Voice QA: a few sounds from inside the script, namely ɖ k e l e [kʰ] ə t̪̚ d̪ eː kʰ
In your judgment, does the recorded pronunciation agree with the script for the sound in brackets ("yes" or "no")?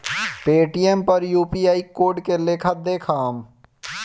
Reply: yes